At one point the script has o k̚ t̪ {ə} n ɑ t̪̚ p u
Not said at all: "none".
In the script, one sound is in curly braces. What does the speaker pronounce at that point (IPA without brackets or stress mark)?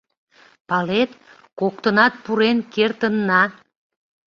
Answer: ə